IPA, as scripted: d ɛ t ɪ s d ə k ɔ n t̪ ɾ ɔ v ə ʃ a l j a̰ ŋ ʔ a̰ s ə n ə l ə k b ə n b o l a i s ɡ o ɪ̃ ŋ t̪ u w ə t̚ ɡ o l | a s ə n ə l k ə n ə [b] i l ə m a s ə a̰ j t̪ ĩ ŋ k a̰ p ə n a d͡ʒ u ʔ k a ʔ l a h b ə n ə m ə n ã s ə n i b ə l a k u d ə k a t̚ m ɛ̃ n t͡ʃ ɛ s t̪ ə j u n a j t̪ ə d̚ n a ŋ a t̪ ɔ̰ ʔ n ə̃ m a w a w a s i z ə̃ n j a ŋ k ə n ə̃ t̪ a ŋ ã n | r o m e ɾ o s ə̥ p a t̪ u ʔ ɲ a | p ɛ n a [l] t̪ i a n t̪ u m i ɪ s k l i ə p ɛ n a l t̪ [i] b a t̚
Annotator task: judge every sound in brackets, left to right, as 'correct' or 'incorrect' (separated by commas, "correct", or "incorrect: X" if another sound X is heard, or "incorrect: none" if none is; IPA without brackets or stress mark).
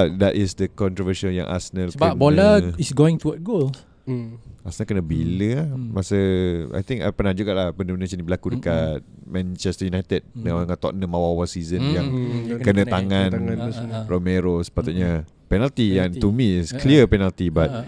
correct, correct, correct